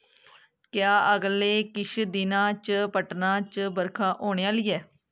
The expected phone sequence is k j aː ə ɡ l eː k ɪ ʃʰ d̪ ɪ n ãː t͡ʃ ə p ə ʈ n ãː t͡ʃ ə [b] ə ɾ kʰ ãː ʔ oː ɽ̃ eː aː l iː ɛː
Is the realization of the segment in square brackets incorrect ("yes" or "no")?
no